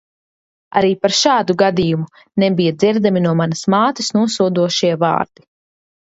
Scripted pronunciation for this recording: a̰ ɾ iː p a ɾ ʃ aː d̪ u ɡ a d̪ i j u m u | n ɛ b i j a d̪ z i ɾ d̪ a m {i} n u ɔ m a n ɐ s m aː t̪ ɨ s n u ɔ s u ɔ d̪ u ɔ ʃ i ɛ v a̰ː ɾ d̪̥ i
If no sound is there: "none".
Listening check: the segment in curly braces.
i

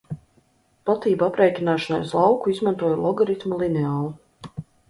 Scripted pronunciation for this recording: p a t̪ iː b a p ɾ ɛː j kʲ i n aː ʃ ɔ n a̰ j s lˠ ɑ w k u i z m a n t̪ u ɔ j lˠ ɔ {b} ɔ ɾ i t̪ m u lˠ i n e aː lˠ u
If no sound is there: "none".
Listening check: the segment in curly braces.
ɡ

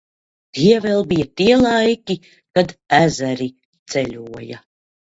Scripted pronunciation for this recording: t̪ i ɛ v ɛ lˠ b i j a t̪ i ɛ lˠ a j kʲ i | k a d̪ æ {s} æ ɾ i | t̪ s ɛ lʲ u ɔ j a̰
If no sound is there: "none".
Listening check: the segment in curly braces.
z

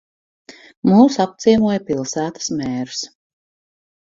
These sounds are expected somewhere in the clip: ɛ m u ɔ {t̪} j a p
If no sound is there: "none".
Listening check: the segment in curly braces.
none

